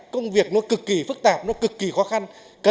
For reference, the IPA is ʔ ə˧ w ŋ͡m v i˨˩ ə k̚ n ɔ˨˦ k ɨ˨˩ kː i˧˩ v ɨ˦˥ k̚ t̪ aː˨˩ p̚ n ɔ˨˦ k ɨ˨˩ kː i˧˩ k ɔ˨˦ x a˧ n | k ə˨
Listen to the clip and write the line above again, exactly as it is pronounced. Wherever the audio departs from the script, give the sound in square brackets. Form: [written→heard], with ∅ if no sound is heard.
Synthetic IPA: [ʔ→k] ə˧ w ŋ͡m v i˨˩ ə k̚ n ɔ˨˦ k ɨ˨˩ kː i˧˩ [v→f] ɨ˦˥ k̚ t̪ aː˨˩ p̚ n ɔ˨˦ k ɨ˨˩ kː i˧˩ [k→x] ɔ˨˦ x a˧ n | k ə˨